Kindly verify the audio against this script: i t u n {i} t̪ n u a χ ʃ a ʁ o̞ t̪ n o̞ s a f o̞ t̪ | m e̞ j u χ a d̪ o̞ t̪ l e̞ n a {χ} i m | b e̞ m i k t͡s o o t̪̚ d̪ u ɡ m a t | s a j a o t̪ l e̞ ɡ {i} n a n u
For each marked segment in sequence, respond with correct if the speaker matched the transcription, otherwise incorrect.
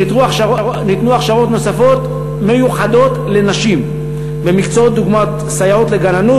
correct, incorrect: ʃ, incorrect: a

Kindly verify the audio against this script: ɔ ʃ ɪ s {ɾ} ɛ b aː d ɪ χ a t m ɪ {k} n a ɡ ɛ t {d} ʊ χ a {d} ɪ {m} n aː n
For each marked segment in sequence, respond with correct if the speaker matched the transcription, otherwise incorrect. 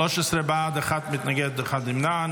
correct, incorrect: t, correct, correct, correct

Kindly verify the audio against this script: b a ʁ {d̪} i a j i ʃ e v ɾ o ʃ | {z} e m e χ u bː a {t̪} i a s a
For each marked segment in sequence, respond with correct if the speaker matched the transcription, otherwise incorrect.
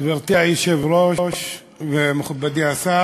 incorrect: t̪, incorrect: v, incorrect: d̪

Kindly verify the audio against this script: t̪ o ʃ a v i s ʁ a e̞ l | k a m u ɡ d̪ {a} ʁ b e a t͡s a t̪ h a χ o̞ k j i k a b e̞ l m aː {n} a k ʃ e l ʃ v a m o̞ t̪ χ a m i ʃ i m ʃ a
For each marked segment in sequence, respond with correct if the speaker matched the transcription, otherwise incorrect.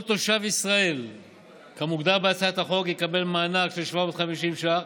correct, correct

